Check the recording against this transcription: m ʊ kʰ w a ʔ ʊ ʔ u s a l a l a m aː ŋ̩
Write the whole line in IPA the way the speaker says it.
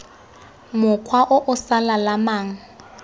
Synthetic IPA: m ʊ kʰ w a ʔ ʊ ʔ ʊ s a l a l a m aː ŋ̩

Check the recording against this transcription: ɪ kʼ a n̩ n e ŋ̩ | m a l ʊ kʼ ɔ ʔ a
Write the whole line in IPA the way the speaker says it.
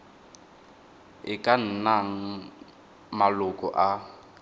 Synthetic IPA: ɪ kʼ a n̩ n a ŋ̩ | m a l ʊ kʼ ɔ ʔ a

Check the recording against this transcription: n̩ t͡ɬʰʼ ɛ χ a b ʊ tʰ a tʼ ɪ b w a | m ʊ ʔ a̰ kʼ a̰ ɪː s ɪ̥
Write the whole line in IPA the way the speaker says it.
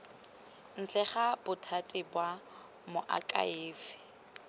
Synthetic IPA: n̩ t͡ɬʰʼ ɛ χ a b ʊ tʰ a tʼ ɪ b w a | m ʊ ʔ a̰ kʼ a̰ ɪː f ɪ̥

